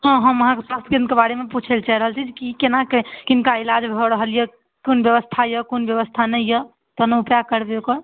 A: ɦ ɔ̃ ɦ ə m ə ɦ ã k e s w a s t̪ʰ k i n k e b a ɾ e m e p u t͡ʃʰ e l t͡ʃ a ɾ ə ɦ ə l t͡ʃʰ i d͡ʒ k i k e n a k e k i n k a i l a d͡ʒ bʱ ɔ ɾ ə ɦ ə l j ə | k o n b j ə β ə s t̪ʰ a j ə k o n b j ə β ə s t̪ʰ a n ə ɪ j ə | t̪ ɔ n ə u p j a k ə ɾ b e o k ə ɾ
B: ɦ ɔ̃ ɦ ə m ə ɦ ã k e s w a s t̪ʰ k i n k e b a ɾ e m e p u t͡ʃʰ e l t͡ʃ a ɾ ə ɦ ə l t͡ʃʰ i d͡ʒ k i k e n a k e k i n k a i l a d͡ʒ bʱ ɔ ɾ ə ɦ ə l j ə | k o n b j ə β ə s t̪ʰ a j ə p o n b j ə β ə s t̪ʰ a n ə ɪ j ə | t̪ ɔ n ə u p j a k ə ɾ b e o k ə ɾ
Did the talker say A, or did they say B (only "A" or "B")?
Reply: A